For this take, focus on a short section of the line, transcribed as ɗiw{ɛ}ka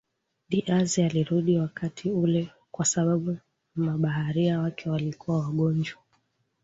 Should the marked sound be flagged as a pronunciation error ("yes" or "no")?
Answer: yes